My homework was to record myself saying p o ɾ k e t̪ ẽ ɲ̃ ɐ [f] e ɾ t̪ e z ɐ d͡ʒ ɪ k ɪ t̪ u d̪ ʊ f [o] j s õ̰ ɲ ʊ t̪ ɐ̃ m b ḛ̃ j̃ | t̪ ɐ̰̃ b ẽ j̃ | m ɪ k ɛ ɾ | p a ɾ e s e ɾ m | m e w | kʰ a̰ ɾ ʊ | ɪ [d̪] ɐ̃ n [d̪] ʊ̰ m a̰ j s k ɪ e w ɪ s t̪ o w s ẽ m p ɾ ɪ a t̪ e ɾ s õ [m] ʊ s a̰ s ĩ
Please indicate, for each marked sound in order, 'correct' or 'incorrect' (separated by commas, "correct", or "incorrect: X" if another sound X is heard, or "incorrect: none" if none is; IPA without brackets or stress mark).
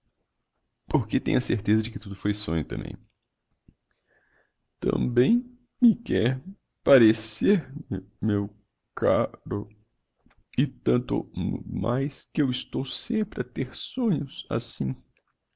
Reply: incorrect: s, correct, incorrect: t̪, incorrect: t̪, incorrect: ɲ